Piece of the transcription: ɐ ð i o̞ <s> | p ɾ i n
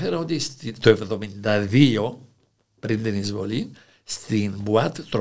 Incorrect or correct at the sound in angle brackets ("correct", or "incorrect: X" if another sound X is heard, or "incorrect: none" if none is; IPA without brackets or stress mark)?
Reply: incorrect: none